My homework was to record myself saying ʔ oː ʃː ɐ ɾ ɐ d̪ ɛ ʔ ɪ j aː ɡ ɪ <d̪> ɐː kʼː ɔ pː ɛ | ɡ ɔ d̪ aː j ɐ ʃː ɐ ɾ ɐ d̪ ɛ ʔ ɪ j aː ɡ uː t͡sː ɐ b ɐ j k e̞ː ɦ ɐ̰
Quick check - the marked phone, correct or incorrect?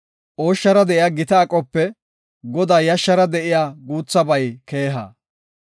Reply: incorrect